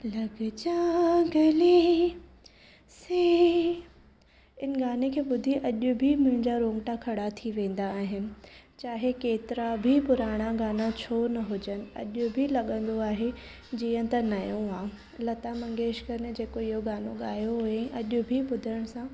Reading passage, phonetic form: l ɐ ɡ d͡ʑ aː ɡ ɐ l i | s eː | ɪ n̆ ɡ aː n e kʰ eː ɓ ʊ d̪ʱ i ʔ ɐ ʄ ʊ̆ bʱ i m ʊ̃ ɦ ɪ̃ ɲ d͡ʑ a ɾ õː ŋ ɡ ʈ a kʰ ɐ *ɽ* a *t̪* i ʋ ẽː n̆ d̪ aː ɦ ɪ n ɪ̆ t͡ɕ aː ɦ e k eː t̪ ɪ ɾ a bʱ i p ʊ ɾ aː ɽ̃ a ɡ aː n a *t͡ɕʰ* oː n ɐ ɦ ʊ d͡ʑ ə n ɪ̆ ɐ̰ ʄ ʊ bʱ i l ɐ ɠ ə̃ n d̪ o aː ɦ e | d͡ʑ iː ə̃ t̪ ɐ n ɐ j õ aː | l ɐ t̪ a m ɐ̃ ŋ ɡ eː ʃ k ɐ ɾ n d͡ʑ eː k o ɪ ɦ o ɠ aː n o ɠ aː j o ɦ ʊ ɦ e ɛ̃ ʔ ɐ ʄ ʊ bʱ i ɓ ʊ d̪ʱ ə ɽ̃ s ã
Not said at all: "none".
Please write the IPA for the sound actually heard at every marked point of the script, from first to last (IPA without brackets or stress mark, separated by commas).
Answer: ɽ, t̪ʰ, t͡ɕʰ